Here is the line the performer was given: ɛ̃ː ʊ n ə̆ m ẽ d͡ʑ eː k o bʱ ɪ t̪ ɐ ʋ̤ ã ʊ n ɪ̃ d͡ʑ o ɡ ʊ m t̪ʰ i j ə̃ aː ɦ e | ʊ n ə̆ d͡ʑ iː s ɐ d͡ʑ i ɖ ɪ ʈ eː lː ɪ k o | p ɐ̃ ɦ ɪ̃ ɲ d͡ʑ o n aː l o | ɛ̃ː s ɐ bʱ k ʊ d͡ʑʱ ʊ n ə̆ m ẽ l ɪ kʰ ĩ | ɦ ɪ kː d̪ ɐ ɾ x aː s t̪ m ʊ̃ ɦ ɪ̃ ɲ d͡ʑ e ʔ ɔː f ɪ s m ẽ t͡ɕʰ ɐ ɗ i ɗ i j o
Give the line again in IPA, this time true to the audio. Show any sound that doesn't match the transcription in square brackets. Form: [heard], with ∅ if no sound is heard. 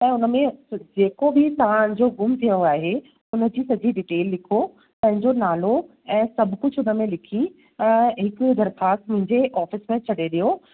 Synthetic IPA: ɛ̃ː ʊ n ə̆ m ẽ d͡ʑ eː k o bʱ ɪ t̪ ɐ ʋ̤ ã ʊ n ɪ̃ d͡ʑ o ɡ ʊ m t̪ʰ i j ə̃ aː ɦ e | ʊ n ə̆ d͡ʑ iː s ɐ d͡ʑ i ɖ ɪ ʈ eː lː ɪ [kʰ] o | p ɐ̃ ɦ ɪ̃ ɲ d͡ʑ o n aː l o | ɛ̃ː s ɐ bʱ k ʊ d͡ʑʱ ʊ n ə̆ m ẽ l ɪ kʰ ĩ | ɦ ɪ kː d̪ ɐ ɾ x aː s t̪ m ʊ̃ ɦ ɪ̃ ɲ d͡ʑ e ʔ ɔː f ɪ s m ẽ t͡ɕʰ ɐ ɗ [e] ɗ i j o

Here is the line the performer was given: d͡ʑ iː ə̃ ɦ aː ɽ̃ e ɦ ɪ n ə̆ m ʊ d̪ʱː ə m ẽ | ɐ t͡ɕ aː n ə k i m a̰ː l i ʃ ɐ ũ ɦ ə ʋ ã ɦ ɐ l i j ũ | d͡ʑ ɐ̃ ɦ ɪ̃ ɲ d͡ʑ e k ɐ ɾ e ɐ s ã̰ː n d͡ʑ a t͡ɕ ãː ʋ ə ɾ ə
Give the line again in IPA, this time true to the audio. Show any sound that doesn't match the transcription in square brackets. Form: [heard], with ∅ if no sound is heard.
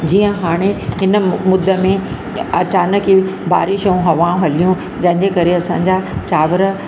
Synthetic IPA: d͡ʑ iː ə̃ ɦ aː ɽ̃ e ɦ ɪ n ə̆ m ʊ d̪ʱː ə m ẽ | ɐ t͡ɕ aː n ə k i [b] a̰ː [ɾ] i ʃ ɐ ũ ɦ [ɐ] ʋ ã ɦ ɐ l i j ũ | d͡ʑ ɐ̃ ɦ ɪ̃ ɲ d͡ʑ e k ɐ ɾ e ɐ s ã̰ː [ɲ] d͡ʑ a t͡ɕ [aː] ʋ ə ɾ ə

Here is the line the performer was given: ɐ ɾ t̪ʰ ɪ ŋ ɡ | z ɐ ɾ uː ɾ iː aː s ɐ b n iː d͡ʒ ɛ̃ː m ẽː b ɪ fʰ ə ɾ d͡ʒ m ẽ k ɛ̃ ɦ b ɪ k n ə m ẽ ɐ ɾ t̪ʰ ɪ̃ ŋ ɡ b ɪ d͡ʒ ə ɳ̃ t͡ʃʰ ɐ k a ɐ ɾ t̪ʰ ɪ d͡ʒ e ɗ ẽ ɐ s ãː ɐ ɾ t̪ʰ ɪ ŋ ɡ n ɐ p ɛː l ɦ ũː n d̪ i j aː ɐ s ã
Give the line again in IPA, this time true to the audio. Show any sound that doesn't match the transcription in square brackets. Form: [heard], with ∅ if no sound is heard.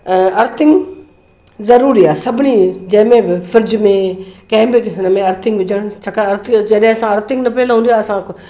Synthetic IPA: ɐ ɾ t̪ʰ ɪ ŋ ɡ | z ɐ ɾ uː ɾ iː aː s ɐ b n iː d͡ʒ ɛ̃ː m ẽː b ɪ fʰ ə ɾ d͡ʒ m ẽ k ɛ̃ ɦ b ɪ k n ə m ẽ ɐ ɾ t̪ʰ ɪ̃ ŋ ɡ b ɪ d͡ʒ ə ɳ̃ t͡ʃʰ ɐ k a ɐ ɾ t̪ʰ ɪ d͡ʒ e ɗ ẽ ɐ s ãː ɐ ɾ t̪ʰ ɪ ŋ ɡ n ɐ p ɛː l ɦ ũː n d̪ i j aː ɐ s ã

